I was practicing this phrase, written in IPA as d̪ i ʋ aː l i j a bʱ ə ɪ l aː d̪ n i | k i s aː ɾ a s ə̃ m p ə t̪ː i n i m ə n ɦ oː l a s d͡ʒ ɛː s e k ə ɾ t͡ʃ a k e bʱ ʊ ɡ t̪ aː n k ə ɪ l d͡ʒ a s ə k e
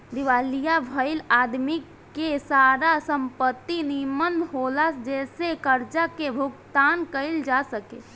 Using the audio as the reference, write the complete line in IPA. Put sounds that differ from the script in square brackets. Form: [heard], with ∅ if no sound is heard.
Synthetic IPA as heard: d̪ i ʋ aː l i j a bʱ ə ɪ l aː d̪ [m] i | k [e] s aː ɾ a s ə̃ m p ə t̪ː i n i m ə n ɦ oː l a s d͡ʒ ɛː s e k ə ɾ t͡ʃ a k e bʱ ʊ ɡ t̪ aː n k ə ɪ l d͡ʒ a s ə k e

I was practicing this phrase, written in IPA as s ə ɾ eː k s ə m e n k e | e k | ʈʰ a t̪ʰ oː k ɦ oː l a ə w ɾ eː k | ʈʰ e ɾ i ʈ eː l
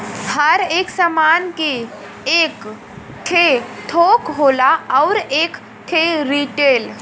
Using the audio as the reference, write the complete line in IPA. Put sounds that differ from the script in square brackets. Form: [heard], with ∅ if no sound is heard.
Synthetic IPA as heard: [h] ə ɾ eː k s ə m [a] n k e | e k | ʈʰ [e] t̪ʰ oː k ɦ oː l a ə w ɾ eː k | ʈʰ e ɾ i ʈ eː l

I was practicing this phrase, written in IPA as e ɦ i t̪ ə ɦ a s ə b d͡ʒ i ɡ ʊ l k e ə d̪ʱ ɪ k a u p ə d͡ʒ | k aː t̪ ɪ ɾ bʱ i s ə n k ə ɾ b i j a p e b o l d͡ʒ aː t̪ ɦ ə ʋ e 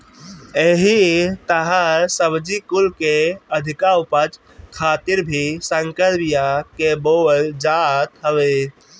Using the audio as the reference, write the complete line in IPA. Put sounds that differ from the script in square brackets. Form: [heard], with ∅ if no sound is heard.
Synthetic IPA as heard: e ɦ i t̪ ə ɦ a s ə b d͡ʒ i [k] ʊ l k e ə d̪ʱ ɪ k a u p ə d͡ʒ | [kʰ] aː t̪ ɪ ɾ bʱ i s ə [ŋ] k ə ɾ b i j a [k] e b o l d͡ʒ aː t̪ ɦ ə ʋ e

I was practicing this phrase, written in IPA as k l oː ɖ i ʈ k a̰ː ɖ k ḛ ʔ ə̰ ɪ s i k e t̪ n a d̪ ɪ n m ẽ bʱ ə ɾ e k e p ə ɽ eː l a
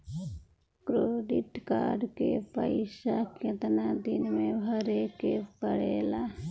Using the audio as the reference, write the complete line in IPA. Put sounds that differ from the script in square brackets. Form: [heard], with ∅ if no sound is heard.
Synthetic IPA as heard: k [ɾ] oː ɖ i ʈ k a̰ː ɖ k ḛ [p] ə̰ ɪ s [a] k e t̪ n a d̪ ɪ n m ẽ bʱ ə ɾ e k e p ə ɽ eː l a

